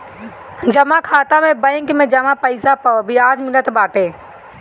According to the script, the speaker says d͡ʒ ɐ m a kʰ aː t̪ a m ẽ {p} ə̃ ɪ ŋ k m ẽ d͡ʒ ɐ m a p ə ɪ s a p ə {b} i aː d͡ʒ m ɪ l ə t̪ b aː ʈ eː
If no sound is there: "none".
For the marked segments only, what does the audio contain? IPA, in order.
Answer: b, b

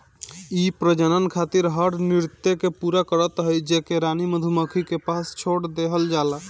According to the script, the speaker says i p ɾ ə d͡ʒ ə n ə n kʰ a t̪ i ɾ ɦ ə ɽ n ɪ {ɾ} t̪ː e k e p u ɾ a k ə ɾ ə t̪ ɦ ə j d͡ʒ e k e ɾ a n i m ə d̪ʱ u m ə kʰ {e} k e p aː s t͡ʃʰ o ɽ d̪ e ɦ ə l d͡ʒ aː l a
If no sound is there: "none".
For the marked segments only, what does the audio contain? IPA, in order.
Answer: ɾ, i

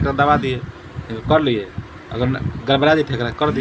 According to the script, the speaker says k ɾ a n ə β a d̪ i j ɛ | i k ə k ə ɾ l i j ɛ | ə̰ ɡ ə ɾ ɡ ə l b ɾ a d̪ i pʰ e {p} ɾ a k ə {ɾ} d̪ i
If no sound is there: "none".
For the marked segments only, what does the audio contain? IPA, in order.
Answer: k, ɾ

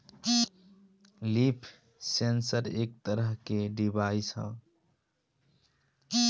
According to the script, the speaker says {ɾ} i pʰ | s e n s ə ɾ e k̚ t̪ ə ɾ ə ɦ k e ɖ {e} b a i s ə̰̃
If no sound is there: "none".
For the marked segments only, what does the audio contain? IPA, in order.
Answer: l, i

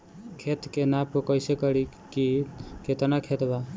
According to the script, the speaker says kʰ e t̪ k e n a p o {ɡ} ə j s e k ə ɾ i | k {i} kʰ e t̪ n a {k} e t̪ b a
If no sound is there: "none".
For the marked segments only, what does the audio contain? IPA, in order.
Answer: k, i, kʰ

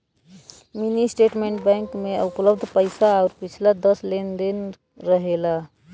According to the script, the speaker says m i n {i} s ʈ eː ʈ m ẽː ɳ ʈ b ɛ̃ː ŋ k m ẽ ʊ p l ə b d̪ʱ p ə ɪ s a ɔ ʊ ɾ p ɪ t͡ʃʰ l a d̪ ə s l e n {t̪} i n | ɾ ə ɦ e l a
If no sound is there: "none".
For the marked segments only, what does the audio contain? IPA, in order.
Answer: i, d̪

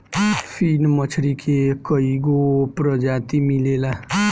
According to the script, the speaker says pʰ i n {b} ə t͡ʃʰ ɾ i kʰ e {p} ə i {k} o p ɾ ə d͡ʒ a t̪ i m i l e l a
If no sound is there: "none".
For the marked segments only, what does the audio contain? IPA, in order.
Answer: m, k, ɡ

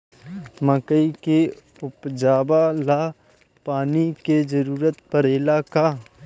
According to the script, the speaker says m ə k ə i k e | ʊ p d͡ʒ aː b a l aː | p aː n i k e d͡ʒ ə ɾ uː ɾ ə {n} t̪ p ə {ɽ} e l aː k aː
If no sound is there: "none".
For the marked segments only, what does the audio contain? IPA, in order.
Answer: none, ɾ

